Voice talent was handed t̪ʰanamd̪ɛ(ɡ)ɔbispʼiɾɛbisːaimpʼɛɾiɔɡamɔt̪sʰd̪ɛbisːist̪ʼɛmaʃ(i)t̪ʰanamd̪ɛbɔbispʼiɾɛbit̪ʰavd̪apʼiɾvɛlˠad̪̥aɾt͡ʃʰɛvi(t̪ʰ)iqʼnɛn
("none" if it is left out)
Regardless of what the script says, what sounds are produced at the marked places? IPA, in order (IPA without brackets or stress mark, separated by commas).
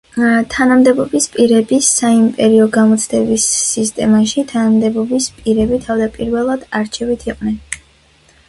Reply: b, i, t̪ʰ